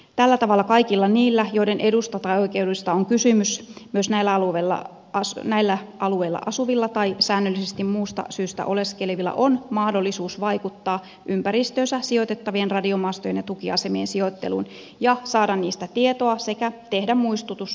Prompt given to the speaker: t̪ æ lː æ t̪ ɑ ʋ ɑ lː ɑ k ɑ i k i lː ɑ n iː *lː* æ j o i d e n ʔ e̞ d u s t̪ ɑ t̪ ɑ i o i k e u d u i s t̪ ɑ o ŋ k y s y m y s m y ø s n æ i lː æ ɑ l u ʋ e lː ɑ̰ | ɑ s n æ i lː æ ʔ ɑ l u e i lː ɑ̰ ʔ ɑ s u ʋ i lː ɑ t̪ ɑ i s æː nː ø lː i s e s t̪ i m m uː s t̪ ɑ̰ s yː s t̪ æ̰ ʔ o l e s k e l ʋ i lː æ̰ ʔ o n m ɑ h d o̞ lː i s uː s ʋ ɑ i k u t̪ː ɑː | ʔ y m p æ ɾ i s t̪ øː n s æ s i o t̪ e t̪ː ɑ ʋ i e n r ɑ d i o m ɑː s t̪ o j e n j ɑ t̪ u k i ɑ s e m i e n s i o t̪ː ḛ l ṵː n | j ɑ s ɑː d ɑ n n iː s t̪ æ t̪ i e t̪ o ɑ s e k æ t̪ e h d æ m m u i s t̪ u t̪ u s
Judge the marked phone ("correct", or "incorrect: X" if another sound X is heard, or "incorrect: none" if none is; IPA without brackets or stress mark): correct